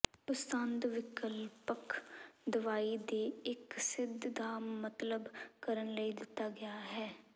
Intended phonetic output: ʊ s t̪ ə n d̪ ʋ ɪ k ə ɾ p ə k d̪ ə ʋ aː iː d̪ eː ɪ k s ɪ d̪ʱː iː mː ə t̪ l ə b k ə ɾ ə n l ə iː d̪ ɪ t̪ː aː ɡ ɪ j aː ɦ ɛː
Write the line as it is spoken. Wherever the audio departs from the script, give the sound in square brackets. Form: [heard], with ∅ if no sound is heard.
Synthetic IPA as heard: ʊ s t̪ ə n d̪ ʋ ɪ k ə [l] p ə k d̪ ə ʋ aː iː d̪ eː ɪ k s ɪ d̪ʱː [aː] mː ə t̪ l ə b k ə ɾ ə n l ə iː d̪ ɪ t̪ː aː ɡ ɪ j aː ɦ ɛː